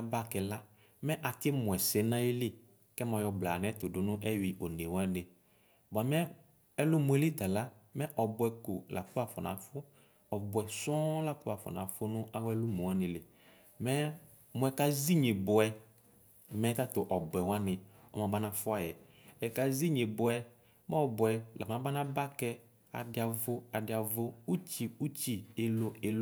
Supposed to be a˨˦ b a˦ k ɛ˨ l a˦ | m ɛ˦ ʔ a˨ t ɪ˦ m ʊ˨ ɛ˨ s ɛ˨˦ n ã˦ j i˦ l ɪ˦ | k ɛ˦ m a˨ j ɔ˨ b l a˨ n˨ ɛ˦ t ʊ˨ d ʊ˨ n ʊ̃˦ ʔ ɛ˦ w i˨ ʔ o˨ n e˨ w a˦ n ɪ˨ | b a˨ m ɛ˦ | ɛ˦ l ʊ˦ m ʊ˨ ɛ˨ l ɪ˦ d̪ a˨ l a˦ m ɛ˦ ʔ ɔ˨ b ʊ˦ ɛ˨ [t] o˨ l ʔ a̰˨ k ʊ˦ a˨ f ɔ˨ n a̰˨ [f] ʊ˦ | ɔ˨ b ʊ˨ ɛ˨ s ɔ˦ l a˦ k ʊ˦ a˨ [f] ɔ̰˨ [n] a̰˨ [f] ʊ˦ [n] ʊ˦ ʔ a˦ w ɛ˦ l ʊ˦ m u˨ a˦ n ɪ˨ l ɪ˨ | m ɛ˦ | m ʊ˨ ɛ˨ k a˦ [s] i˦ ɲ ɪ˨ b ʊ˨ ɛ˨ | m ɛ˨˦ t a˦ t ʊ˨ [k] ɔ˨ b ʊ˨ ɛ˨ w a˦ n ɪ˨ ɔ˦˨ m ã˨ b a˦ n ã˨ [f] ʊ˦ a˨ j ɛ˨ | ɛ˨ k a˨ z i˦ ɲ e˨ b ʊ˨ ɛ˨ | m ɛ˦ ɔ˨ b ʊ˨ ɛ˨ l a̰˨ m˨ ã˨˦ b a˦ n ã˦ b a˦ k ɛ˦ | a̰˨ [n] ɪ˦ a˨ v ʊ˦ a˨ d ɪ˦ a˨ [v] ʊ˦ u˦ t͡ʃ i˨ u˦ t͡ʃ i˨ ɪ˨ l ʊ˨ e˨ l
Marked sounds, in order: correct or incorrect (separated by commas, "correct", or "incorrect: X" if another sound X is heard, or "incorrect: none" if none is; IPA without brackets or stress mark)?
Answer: incorrect: k, correct, correct, correct, correct, correct, incorrect: z, incorrect: ʔ, correct, incorrect: d, correct